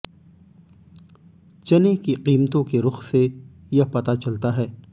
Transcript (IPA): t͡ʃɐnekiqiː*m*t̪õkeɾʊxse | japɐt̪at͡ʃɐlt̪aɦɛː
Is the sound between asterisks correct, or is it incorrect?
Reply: correct